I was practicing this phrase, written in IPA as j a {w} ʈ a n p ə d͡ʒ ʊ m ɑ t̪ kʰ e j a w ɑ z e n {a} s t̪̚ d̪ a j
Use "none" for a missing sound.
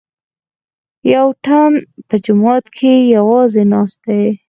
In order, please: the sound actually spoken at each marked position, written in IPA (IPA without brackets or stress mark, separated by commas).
w, ɑ